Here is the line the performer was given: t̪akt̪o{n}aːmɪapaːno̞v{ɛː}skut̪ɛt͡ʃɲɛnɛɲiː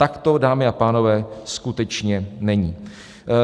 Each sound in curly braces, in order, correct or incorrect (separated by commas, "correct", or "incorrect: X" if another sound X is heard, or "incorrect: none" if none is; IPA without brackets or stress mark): incorrect: d, correct